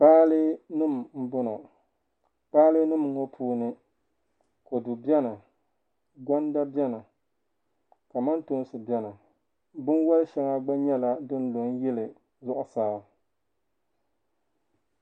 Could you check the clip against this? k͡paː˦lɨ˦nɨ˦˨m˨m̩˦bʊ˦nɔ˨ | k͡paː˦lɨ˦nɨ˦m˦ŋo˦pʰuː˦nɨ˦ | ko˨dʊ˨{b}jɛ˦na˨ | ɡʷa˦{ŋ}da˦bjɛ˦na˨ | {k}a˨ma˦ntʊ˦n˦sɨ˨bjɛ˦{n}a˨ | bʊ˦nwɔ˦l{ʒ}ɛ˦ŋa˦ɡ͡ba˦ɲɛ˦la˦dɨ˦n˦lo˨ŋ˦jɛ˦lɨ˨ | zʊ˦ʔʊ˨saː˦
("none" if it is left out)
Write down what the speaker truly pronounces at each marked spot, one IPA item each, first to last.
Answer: b, n, k, n, ʃ

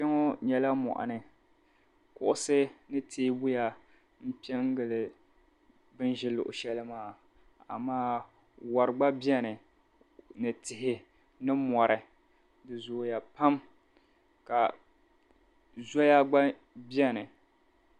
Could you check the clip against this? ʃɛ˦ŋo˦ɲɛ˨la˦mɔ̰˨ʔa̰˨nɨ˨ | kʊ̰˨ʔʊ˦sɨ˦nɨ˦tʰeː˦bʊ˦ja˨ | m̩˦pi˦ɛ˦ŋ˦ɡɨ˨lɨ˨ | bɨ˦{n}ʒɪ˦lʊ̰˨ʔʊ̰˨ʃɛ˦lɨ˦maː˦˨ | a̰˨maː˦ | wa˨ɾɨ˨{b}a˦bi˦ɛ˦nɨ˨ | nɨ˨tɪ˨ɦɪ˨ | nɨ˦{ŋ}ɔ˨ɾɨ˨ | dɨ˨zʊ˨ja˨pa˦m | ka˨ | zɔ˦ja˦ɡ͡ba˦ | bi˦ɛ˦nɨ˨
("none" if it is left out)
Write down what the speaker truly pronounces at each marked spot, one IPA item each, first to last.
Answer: n, ɡ͡b, m

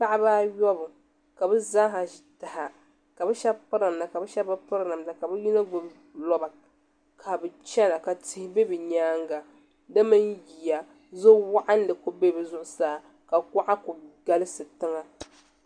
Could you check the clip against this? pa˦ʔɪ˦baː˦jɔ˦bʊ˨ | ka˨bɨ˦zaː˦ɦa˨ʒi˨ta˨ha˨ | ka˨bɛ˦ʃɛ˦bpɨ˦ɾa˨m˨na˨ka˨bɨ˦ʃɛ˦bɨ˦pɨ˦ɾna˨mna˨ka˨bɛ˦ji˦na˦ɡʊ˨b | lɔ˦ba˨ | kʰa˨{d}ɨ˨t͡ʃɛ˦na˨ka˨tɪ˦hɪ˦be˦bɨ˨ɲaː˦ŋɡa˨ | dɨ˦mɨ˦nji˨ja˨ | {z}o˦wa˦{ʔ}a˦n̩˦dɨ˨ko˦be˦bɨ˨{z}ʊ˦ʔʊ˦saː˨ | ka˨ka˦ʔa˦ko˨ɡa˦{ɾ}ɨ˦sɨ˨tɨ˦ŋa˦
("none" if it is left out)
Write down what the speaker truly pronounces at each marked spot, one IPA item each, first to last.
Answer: b, z, ʔ, z, l

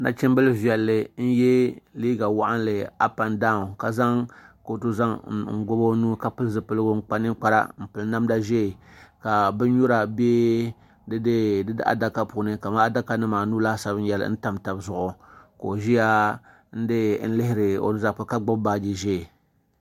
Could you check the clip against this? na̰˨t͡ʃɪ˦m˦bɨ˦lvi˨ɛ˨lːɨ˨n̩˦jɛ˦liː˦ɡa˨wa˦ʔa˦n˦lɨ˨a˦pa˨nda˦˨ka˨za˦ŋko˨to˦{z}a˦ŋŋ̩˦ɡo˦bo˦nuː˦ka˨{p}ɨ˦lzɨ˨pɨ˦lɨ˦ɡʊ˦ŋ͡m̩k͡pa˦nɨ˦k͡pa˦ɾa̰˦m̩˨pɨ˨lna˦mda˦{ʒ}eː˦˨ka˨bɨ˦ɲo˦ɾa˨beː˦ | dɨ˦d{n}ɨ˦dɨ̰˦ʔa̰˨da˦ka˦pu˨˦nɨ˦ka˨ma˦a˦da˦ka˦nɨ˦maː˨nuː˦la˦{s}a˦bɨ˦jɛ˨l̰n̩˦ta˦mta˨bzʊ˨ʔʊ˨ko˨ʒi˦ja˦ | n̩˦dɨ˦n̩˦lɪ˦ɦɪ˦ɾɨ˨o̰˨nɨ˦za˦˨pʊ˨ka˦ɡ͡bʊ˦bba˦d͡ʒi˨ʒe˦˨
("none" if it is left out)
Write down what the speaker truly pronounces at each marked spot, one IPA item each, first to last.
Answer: z, p, ʒ, d, s

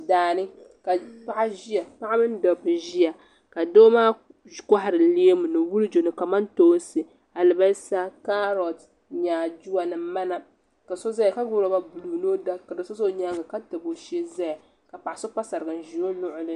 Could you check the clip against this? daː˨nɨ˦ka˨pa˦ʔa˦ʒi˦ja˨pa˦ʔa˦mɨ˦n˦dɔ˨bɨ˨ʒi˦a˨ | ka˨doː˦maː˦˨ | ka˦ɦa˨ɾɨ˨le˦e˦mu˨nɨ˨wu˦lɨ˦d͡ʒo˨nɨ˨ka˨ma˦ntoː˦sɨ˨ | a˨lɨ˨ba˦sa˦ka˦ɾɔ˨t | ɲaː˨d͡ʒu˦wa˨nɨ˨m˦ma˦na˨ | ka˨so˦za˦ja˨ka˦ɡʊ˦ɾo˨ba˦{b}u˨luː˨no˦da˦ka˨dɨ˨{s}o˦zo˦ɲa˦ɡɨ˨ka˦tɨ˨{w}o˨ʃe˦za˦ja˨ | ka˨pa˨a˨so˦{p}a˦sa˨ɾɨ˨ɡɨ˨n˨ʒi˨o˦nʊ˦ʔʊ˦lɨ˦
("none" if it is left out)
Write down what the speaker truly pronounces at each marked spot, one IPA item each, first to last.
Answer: b, s, b, p

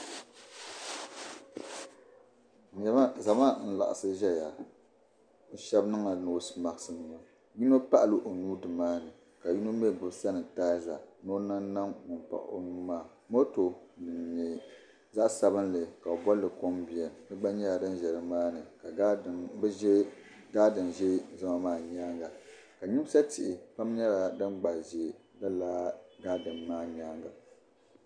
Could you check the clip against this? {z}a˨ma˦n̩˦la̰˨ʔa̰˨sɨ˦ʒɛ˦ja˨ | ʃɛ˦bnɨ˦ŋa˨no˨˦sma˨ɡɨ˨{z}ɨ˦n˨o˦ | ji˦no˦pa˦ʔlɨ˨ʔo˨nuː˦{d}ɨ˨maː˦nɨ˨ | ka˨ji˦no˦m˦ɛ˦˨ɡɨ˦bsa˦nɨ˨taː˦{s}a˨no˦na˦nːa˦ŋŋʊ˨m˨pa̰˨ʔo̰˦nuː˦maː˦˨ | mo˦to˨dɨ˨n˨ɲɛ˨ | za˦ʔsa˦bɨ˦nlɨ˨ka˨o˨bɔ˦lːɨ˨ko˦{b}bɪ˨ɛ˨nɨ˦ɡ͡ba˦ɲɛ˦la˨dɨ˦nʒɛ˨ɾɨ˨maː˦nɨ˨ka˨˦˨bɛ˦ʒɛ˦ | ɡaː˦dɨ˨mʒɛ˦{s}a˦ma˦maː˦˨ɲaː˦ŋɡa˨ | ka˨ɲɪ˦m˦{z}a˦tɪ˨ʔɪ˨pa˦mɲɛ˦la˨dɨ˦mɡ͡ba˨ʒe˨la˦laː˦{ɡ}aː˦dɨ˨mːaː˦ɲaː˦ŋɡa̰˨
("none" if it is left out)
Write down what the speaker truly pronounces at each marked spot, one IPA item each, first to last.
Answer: z, s, d, z, m, z, s, ɡ

